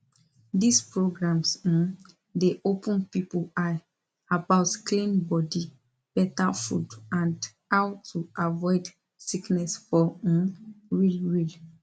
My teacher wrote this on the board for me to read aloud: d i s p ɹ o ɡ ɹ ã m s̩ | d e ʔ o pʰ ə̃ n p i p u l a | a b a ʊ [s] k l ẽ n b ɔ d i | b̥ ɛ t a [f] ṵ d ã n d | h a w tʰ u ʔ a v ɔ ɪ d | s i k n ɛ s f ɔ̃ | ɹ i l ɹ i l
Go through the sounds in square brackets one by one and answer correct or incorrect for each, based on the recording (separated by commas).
incorrect, correct